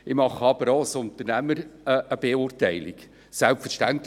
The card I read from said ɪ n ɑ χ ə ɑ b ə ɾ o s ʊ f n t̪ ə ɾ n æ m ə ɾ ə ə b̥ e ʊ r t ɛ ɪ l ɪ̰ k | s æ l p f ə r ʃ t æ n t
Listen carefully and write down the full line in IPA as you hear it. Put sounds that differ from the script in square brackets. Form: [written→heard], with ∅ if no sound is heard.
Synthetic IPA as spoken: ɪ [n→m] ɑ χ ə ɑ b ə ɾ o s ʊ [f→∅] n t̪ ə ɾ n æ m ə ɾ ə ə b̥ e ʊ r t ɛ ɪ l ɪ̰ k | s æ l p f ə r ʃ t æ n t